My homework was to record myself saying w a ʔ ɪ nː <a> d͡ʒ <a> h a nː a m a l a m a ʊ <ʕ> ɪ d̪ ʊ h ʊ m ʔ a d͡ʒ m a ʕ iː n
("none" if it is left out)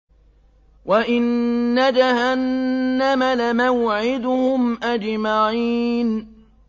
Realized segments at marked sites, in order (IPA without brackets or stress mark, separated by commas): a, a, ʕ